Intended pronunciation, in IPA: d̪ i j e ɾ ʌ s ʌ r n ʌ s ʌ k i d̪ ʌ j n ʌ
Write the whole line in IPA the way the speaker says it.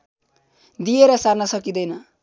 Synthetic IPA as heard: d̪ i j e ɾ ʌ s a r n ʌ s ʌ k i d̪ ʌ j n ʌ